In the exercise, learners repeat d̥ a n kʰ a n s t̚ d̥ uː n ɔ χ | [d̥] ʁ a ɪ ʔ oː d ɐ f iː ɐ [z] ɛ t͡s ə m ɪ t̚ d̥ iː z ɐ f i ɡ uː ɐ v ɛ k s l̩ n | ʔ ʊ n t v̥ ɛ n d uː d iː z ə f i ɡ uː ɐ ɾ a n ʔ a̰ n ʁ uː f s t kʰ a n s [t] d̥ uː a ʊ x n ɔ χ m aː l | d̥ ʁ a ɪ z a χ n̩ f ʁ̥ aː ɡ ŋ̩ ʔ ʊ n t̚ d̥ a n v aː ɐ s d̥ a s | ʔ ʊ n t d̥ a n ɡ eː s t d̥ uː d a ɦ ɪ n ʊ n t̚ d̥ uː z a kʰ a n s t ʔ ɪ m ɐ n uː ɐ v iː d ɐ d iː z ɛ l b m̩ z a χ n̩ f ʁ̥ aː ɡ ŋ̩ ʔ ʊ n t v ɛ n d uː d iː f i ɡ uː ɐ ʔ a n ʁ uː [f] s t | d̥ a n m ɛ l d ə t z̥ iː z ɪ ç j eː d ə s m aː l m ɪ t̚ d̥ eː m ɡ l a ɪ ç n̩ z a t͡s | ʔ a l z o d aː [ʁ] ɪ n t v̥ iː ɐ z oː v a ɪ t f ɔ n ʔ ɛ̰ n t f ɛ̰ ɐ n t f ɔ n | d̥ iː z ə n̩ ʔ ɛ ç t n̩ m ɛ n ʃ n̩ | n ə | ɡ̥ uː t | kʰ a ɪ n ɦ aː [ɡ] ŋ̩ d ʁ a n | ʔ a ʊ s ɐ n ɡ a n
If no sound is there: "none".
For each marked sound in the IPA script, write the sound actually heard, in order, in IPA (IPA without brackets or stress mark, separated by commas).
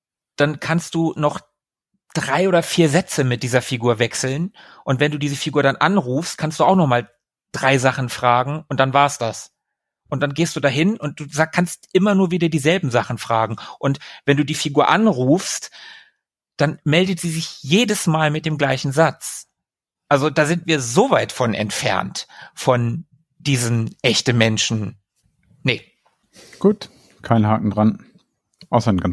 d̥, z, t, f, z, k